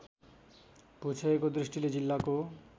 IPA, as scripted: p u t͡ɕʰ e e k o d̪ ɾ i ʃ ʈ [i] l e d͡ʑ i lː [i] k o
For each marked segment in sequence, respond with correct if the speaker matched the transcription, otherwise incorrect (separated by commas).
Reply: correct, incorrect